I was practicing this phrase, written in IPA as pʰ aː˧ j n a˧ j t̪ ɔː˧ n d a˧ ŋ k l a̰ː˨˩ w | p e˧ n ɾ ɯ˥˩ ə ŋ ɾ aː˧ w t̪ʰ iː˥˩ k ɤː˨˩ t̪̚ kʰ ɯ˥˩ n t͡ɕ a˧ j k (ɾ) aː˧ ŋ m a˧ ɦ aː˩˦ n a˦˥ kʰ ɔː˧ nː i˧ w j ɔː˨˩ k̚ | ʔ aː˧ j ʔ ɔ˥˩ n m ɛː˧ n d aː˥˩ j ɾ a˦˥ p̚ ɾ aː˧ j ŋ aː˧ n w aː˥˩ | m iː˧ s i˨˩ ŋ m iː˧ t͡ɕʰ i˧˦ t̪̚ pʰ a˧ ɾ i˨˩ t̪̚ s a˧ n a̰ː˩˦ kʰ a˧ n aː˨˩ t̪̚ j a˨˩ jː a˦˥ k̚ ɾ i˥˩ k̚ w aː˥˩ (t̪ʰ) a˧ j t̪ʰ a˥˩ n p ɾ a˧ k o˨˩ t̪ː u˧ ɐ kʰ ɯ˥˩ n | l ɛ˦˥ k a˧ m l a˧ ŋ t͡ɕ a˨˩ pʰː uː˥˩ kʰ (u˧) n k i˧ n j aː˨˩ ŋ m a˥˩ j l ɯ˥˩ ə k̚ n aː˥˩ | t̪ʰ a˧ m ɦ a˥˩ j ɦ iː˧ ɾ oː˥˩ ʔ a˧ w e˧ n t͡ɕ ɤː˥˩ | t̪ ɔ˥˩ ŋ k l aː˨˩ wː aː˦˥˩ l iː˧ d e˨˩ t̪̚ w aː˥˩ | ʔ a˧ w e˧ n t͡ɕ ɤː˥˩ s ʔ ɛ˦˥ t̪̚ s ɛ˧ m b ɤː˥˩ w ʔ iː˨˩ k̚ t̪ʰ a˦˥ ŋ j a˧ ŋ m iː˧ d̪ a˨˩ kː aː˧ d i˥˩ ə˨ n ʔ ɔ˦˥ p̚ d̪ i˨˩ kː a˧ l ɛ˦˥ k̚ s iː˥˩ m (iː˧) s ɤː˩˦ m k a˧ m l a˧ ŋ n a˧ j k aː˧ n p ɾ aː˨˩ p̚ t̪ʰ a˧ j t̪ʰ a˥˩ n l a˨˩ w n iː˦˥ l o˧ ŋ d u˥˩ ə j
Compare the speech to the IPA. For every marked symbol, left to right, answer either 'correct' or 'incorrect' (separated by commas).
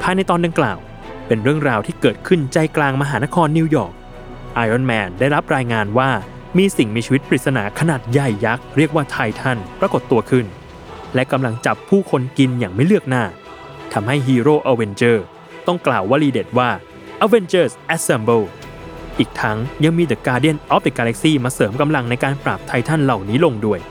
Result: incorrect, correct, incorrect, incorrect